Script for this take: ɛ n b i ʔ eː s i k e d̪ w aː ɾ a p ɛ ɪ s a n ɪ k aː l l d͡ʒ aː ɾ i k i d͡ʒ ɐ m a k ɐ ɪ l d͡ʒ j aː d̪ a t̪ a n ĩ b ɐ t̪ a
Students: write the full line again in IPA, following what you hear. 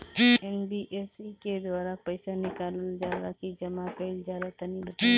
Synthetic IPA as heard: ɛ n b i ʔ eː s i k e d̪ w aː ɾ a p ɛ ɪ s a n ɪ k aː l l d͡ʒ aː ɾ a k i d͡ʒ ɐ m a k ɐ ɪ l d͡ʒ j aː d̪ a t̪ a n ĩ b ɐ t̪ a